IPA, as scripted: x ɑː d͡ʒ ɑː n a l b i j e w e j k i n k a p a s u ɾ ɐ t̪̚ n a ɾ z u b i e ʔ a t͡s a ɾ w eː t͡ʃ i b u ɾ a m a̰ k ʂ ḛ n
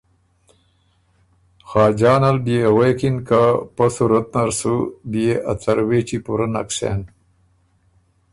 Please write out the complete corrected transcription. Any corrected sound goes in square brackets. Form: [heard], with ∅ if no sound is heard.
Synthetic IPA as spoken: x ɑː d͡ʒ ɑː n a l b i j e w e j k i n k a p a s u ɾ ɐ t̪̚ n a ɾ [s] u b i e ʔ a t͡s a ɾ w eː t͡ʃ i [p] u ɾ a [n] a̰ k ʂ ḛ n